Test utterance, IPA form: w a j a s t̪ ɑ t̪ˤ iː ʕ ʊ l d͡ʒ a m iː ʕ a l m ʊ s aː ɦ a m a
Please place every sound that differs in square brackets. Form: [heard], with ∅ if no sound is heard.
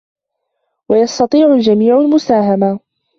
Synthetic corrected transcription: w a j [ɑ] s t̪ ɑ t̪ˤ iː ʕ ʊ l d͡ʒ a m iː ʕ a l m ʊ s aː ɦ a m a